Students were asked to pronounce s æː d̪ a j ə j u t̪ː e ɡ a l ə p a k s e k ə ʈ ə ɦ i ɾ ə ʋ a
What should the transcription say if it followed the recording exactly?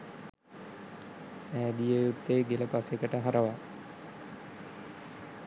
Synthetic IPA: s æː d̪ i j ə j u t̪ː e ɡ e l ə p a s e k ə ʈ ə ɦ a ɾ ə ʋ a